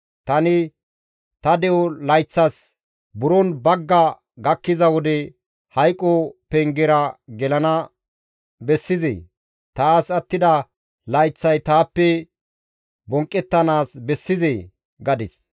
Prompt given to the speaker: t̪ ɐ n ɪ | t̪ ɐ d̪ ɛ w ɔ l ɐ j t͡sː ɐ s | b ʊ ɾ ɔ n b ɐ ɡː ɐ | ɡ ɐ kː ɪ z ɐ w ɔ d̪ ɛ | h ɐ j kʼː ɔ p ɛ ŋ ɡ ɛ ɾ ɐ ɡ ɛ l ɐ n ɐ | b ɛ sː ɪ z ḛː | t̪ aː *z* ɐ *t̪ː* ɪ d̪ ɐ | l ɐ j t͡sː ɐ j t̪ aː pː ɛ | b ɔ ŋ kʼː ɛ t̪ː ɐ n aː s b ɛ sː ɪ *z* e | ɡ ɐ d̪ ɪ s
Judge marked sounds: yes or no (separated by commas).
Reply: no, yes, yes